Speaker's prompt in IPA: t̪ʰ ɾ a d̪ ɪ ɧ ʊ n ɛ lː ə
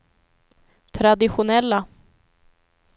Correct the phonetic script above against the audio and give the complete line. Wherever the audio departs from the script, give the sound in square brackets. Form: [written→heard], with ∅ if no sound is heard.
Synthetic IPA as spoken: t̪ʰ ɾ a d̪ ɪ ɧ ʊ n ɛ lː [ə→a]